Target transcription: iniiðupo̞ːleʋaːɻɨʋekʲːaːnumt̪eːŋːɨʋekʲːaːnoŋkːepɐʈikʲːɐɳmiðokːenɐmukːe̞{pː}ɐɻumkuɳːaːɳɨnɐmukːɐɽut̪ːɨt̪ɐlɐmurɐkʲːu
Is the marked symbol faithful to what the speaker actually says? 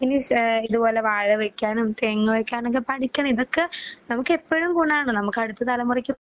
yes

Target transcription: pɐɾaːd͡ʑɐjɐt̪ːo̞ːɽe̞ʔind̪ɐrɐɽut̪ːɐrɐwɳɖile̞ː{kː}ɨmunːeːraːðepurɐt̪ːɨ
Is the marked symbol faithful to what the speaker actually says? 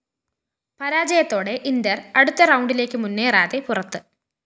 yes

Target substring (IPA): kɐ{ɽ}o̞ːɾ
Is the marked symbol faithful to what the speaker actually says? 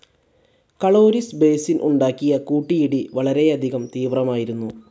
no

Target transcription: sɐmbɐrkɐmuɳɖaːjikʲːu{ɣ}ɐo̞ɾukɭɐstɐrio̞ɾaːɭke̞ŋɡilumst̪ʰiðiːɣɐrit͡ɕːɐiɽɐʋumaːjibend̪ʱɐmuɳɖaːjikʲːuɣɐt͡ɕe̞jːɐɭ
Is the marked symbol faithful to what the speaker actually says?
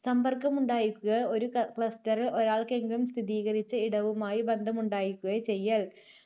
yes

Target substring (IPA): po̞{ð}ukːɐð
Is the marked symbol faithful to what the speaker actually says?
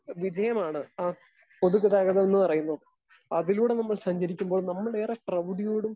yes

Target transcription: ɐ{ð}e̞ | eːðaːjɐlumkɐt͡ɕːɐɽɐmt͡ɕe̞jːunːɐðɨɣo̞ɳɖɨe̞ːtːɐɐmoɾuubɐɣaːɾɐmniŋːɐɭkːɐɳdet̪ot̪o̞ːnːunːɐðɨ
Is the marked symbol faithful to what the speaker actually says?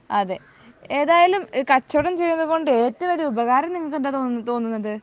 yes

